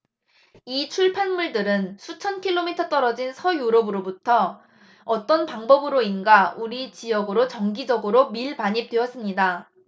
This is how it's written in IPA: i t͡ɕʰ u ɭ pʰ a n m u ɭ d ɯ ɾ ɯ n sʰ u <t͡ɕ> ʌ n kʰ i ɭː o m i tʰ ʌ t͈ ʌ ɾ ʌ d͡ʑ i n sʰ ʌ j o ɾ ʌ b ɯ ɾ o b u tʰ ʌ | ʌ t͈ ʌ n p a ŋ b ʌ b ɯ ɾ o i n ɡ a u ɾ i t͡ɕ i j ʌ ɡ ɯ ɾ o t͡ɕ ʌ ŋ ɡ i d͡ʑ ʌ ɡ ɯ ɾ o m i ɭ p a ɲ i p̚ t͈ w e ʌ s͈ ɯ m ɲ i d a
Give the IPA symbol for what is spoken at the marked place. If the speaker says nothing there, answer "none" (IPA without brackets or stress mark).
t͡ɕʰ